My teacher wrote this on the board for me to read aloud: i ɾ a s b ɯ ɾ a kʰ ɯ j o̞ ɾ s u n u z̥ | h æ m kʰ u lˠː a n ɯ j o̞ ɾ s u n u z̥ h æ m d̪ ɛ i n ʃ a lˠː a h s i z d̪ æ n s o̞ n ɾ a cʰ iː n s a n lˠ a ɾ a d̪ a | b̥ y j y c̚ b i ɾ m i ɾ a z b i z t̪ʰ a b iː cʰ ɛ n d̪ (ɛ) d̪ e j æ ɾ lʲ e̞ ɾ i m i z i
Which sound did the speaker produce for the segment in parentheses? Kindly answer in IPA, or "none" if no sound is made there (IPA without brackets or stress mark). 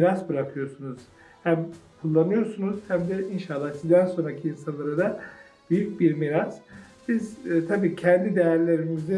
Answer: i